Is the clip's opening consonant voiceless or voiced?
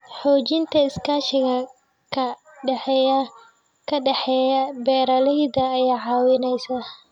voiceless